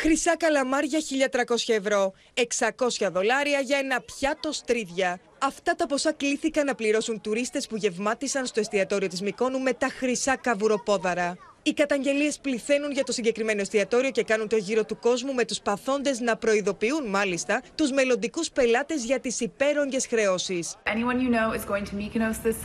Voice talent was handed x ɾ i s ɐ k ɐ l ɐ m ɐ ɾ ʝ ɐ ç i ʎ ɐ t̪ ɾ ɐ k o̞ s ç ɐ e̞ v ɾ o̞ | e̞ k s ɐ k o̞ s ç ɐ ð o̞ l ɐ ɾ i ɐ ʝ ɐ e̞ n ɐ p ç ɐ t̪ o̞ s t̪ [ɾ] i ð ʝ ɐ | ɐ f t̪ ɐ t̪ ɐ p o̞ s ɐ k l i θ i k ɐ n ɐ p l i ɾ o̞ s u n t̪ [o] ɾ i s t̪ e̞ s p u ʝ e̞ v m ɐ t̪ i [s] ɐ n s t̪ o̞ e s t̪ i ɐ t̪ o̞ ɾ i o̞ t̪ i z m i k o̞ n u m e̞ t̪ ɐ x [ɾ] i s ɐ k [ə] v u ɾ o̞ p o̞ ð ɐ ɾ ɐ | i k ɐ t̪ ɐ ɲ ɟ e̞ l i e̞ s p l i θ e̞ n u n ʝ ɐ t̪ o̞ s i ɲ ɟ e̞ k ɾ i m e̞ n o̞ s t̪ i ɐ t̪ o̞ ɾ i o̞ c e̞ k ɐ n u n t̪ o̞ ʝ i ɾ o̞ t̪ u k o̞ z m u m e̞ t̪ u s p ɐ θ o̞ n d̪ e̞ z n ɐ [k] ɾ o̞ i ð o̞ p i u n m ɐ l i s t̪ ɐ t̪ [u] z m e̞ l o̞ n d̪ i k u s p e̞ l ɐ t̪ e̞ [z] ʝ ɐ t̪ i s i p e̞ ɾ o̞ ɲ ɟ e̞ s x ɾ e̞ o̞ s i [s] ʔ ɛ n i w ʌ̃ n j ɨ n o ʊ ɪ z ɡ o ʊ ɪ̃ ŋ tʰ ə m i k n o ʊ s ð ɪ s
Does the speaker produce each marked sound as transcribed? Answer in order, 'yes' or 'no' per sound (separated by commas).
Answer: yes, no, yes, yes, no, no, yes, yes, yes